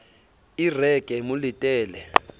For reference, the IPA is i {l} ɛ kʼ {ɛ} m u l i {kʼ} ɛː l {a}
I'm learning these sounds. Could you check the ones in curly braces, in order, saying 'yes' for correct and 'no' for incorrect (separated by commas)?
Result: no, yes, no, no